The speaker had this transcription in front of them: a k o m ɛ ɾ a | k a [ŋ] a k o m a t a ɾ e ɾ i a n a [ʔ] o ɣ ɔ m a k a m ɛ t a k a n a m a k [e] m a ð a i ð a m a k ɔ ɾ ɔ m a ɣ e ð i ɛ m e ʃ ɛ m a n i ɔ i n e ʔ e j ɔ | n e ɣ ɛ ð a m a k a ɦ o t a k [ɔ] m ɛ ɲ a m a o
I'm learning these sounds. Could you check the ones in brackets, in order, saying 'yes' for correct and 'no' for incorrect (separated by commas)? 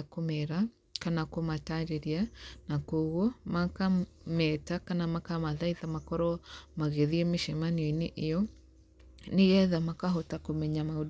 no, no, no, no